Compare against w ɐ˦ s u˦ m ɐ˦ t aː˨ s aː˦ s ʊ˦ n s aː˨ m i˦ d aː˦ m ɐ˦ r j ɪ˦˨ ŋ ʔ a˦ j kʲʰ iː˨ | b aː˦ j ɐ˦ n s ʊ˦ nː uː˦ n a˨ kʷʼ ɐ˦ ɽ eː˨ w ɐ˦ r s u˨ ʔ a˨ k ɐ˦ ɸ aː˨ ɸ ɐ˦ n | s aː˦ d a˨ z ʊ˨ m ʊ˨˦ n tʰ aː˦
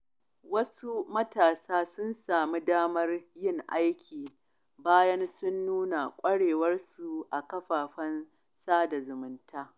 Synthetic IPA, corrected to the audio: w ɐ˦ s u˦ m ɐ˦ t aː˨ s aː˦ s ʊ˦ n s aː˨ m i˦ d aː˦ m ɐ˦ r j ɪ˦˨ ŋ ʔ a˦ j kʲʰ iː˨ | b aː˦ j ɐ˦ n s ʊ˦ nː uː˦ n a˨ kʷʼ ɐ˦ ɽ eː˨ w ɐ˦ r s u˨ ʔ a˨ k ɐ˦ ɸ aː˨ ɸ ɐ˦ n | s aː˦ d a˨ z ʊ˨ m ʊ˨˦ n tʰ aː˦